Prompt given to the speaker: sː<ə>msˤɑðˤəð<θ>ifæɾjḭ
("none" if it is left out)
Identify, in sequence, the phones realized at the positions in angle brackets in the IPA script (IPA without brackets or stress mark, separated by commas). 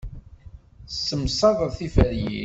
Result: ə, θ